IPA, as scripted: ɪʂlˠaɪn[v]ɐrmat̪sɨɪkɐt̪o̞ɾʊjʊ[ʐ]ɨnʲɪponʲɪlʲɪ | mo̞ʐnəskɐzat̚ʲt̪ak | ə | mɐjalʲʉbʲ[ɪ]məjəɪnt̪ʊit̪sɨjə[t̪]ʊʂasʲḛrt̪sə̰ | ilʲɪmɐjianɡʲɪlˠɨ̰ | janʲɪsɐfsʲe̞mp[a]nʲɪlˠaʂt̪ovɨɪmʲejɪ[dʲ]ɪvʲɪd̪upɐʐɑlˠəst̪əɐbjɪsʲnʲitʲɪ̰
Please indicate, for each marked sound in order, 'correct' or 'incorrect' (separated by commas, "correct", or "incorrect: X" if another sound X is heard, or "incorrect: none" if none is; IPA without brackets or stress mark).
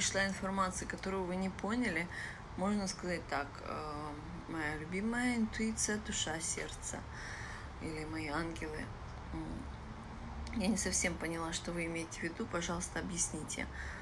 incorrect: f, incorrect: v, incorrect: i, incorrect: d̪, incorrect: ə, incorrect: tʲ